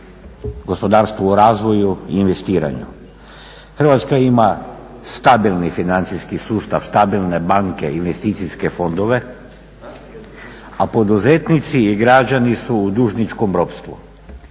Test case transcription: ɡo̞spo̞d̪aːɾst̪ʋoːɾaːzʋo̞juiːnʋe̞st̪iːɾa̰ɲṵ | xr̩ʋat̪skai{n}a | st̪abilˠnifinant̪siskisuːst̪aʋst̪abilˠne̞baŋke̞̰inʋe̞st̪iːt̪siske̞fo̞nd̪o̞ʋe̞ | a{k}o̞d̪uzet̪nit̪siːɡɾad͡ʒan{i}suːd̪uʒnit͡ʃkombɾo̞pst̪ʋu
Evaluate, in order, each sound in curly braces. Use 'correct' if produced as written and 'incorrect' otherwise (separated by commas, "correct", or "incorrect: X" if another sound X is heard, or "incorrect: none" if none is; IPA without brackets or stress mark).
incorrect: m, incorrect: p, correct